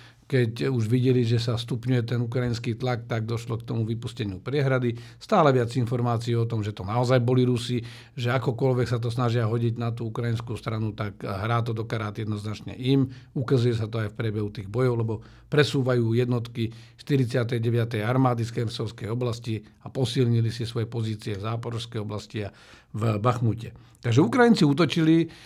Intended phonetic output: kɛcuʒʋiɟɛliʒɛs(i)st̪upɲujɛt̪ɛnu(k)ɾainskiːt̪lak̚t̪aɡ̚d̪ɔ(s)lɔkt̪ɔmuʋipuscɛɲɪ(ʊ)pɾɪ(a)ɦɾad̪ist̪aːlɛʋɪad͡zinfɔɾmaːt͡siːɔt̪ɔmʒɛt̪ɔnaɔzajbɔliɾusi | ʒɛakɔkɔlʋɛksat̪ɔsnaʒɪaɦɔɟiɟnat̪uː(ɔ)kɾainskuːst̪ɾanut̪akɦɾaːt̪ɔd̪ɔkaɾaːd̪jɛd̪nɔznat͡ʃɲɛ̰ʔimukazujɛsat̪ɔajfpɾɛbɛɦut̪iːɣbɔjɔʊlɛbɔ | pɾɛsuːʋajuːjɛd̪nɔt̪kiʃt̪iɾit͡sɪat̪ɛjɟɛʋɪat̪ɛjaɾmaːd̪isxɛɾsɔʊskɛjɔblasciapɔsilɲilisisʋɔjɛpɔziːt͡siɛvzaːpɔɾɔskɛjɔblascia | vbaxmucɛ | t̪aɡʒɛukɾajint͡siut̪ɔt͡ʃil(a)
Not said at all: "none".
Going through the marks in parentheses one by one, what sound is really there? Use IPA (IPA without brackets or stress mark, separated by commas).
a, k, ʃ, u, ɛ, u, i